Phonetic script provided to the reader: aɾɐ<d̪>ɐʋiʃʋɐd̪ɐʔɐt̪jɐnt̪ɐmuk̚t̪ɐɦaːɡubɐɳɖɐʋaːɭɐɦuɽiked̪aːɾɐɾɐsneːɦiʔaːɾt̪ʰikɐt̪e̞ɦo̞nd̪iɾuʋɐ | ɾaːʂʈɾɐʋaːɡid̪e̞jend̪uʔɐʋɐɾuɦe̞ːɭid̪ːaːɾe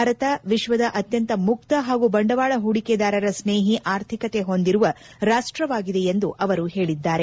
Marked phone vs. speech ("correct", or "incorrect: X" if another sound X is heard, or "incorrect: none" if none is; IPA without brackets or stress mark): incorrect: t̪